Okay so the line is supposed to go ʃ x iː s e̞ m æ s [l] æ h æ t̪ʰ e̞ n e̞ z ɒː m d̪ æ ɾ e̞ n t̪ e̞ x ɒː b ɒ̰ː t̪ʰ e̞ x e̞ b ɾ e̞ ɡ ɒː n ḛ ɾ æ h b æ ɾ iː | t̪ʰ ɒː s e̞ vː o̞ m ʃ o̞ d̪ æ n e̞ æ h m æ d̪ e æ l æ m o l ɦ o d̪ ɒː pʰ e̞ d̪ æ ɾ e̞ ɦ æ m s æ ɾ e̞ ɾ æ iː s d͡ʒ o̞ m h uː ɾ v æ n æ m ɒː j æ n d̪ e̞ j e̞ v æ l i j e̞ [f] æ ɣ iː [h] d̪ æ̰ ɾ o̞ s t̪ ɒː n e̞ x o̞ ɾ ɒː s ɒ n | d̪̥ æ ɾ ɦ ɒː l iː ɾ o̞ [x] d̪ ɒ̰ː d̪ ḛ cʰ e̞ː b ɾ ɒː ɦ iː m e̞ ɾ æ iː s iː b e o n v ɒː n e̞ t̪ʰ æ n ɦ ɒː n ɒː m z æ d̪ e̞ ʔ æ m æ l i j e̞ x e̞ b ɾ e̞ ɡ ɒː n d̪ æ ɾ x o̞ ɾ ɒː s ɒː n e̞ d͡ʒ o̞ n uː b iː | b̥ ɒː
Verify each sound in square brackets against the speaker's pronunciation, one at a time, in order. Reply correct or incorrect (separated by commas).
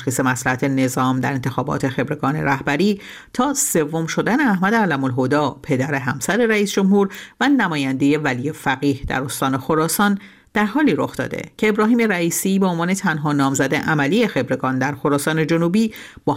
correct, correct, correct, correct